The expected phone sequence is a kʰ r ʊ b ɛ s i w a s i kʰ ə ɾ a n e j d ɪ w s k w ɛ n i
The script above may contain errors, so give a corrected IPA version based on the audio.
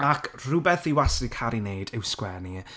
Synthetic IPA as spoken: a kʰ r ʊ b ɛ θ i w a s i kʰ a ɾ i n e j d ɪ w s k w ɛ n i